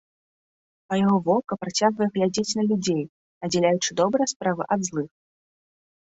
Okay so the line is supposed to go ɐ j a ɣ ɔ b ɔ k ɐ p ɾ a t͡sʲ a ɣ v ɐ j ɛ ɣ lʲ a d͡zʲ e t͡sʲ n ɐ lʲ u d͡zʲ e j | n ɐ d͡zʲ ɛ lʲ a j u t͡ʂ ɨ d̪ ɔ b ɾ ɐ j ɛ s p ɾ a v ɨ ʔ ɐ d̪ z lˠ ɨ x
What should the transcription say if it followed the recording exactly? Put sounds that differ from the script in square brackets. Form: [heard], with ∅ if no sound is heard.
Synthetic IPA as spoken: ɐ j a ɣ ɔ [v] ɔ k ɐ p ɾ a t͡sʲ a ɣ v ɐ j ɛ ɣ lʲ a d͡zʲ e t͡sʲ n ɐ lʲ u d͡zʲ e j | n ɐ d͡zʲ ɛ lʲ a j u t͡ʂ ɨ d̪ ɔ b ɾ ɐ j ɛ s p ɾ a v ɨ ʔ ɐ d̪ z lˠ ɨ x